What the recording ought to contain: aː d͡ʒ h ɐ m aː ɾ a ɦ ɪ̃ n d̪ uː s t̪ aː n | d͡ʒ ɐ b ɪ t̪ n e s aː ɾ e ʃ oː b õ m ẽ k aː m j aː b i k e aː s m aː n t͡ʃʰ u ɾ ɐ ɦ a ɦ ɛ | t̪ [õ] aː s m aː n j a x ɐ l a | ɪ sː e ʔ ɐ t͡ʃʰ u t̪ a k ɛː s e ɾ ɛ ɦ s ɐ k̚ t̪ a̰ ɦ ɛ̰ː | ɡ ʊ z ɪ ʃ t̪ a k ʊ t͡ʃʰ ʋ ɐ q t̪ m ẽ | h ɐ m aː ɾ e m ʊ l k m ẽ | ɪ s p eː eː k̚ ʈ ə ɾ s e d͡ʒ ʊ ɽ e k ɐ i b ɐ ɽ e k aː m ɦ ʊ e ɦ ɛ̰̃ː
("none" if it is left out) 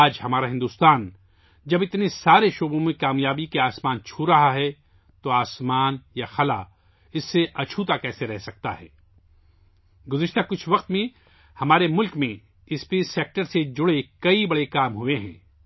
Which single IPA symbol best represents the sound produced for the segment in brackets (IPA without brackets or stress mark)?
o